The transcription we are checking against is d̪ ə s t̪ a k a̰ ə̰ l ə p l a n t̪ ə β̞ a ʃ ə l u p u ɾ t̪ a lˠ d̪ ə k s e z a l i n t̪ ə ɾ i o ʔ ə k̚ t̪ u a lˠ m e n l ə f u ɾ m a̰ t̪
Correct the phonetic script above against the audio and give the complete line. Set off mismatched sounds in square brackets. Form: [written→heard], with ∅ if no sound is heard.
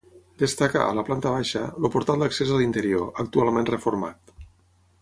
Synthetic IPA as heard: d̪ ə s t̪ a k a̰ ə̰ l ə p l a n t̪ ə β̞ a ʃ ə l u p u ɾ t̪ a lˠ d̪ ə k s e z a l i n t̪ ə ɾ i o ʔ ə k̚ t̪ u a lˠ m e n [l→r] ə f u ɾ m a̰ t̪